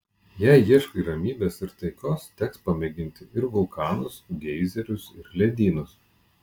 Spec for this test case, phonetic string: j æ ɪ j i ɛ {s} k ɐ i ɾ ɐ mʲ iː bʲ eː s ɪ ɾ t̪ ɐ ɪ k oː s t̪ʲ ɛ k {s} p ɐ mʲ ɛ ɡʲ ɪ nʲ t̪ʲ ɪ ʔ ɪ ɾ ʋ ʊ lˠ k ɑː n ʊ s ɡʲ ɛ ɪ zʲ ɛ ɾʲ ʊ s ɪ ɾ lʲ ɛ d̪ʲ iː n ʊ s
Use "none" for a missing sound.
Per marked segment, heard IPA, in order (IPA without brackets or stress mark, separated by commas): ʃ, s